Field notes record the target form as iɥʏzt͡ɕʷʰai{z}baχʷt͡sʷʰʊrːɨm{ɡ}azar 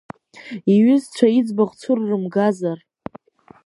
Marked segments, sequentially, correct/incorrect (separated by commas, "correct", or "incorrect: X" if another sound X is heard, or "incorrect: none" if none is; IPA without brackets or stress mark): incorrect: d͡z, correct